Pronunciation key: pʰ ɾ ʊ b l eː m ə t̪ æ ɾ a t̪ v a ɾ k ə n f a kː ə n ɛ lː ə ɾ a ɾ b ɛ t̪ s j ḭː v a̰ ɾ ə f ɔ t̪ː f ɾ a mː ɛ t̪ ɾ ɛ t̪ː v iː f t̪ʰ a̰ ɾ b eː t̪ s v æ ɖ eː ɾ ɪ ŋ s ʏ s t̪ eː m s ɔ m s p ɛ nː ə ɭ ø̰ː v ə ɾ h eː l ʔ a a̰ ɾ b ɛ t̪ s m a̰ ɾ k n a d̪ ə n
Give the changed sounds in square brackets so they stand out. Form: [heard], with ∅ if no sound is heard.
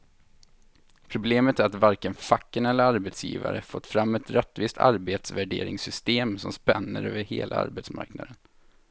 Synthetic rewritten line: pʰ ɾ ʊ b l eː m ə t̪ æ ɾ a t̪ v a ɾ k ə n f a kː ə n ɛ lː ə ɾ a ɾ b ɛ t̪ s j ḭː v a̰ ɾ ə f ɔ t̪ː f ɾ a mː ɛ t̪ ɾ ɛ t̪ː v iː [s] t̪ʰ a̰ ɾ b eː t̪ s v æ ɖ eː ɾ ɪ ŋ s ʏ s t̪ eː m s ɔ m s p ɛ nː ə [ɾ] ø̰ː v ə ɾ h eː l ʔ a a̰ ɾ b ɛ t̪ s m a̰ ɾ k n a d̪ ə n